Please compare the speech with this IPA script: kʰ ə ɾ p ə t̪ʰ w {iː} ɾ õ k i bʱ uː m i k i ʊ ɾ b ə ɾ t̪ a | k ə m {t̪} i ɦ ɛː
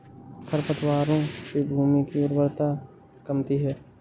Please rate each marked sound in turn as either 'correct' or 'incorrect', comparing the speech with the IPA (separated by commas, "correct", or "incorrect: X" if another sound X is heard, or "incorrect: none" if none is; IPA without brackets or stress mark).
incorrect: aː, correct